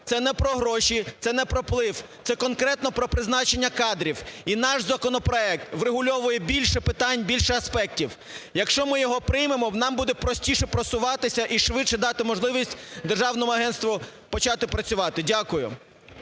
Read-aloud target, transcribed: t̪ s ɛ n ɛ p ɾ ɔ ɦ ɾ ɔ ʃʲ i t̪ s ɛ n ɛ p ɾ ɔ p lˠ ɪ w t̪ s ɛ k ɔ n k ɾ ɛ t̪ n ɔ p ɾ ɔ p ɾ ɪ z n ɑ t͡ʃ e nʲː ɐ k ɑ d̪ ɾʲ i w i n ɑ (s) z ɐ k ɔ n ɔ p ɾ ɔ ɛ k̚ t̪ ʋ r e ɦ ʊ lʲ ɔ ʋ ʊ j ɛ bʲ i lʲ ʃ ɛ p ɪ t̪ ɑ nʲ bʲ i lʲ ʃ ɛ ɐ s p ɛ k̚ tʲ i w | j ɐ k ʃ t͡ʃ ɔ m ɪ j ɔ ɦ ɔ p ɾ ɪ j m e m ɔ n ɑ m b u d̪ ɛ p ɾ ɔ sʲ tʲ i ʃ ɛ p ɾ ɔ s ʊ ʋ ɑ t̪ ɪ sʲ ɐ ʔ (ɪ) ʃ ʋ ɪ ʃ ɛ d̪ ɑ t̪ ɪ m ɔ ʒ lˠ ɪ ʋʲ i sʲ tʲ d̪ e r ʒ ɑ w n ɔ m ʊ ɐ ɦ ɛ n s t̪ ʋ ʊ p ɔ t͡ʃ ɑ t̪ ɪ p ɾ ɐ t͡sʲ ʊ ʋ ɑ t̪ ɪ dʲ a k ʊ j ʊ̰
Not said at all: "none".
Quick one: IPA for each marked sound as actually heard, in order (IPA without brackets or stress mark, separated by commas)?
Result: ʃ, i